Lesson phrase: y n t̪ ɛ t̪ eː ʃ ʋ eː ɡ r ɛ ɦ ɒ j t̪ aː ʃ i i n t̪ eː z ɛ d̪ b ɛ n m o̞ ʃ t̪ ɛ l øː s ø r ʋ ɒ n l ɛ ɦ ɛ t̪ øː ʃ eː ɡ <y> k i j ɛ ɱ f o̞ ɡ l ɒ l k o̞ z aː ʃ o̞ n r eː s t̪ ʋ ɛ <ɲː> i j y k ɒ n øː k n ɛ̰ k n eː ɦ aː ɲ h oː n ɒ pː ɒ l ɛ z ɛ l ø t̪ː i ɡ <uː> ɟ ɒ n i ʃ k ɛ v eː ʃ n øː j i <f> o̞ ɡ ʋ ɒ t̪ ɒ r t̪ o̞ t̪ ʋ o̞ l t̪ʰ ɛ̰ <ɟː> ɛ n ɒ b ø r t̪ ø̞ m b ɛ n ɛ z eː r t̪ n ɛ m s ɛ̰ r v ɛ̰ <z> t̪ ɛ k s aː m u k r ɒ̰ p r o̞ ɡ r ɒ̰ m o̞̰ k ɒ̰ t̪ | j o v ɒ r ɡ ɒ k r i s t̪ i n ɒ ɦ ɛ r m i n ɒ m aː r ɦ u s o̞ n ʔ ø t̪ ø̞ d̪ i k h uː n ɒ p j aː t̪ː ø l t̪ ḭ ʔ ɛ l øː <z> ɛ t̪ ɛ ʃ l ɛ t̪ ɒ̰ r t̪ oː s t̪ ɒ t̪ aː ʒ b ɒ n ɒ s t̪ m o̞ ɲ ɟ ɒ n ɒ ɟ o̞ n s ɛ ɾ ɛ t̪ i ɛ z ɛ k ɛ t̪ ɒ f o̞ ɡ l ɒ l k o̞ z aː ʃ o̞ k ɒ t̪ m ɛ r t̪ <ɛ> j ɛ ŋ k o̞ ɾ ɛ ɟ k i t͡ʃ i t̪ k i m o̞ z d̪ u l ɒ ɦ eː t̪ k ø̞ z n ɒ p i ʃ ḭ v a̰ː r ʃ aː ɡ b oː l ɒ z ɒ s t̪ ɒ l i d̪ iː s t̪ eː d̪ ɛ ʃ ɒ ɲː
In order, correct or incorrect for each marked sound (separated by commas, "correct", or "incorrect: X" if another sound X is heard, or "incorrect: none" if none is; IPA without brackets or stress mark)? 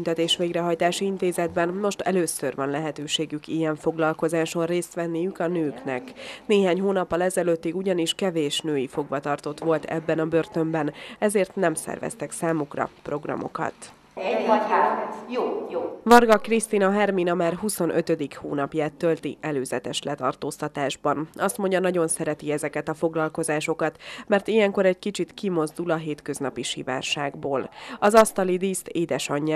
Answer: correct, incorrect: nː, incorrect: u, correct, incorrect: bː, incorrect: s, correct, incorrect: i